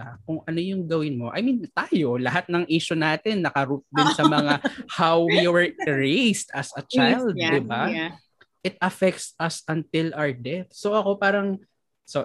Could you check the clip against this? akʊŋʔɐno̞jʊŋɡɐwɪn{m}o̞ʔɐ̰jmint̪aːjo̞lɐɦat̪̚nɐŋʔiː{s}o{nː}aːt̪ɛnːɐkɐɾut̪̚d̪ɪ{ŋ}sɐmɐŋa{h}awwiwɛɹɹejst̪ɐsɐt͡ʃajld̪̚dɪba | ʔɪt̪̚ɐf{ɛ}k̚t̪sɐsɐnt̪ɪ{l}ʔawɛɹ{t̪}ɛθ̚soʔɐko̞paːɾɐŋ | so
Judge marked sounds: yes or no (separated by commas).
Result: yes, no, no, no, yes, yes, yes, no